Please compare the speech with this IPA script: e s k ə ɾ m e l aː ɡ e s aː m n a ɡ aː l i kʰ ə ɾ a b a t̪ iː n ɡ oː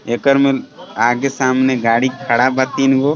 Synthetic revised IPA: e k ə ɾ m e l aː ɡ e s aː m n e ɡ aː ɽ i kʰ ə ɽ a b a t̪ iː n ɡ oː